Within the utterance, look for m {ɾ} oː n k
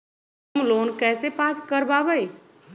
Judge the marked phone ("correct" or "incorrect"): incorrect